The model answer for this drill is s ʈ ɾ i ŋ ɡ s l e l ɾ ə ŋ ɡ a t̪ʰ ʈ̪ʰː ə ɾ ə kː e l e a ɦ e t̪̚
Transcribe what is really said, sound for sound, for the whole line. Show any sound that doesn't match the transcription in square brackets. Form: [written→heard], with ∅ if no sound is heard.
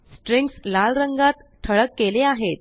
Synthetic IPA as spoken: s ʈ ɾ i ŋ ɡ s l [e→a] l ɾ ə ŋ ɡ a [t̪ʰ→t̪] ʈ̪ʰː ə [ɾ→ɭ] ə kː e l e a ɦ e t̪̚